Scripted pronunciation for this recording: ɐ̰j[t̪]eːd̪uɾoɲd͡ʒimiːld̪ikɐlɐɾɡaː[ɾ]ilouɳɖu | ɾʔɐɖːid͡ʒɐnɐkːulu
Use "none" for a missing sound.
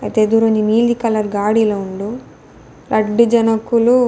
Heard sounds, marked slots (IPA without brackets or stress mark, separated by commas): t̪, ɽ